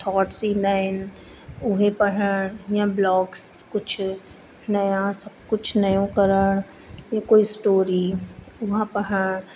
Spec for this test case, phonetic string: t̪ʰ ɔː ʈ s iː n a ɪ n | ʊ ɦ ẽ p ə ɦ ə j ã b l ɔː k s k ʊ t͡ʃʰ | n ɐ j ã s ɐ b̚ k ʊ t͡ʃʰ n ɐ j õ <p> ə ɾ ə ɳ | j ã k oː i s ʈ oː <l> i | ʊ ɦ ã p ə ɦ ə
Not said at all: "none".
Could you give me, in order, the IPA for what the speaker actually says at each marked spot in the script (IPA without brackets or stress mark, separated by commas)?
k, ɾ